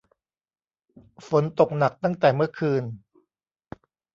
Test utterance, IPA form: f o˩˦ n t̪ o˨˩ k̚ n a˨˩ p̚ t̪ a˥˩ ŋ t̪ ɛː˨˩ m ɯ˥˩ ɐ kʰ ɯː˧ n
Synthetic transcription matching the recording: f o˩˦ n t̪ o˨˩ k̚ n a˨˩ k̚ t̪ a˥˩ ŋ t̪ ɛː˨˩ m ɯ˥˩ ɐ kʰ ɯː˧ n